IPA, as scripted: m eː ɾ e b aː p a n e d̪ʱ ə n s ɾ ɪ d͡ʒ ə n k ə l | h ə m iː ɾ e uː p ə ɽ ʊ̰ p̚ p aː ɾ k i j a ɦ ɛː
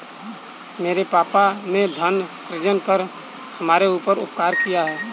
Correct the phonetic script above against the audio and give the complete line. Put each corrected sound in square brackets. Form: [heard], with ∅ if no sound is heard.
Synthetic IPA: m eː ɾ e [p] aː p a n e d̪ʱ ə n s ɾ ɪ d͡ʒ ə n k ə [ɾ] | h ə m [aː] ɾ e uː p ə [ɾ] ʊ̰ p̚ [k] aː ɾ k i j a ɦ ɛː